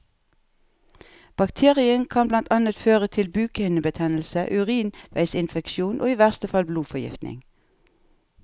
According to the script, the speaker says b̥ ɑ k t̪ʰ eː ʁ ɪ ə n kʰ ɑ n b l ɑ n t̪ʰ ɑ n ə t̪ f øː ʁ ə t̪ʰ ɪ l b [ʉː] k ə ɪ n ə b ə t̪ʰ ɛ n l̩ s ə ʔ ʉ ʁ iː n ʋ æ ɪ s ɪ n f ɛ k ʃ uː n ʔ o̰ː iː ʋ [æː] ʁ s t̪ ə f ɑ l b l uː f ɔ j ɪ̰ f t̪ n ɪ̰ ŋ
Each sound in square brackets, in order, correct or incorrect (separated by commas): correct, incorrect